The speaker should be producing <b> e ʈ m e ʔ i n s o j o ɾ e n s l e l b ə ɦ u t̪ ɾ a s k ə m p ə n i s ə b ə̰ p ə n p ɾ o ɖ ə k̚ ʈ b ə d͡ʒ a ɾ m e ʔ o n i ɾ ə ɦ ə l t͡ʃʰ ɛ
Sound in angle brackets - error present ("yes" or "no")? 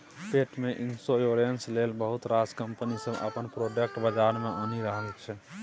yes